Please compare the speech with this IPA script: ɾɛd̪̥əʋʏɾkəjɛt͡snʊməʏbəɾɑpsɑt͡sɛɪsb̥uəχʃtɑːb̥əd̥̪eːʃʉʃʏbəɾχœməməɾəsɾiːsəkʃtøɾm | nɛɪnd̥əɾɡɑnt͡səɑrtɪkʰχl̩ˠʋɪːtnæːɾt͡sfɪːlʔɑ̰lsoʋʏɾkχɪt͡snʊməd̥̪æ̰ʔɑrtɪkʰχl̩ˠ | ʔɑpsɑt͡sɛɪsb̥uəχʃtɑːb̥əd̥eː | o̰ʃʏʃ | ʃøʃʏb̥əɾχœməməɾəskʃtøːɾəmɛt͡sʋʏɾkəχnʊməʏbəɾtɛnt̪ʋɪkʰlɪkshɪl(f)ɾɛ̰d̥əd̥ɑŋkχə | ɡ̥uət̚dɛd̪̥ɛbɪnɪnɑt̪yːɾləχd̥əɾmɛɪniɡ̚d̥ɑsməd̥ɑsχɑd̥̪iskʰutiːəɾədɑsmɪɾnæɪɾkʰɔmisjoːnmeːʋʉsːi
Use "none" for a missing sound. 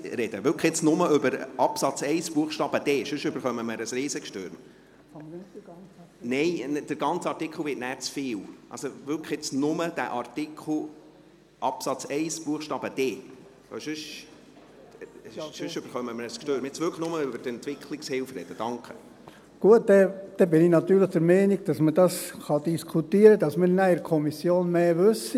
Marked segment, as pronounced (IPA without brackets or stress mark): f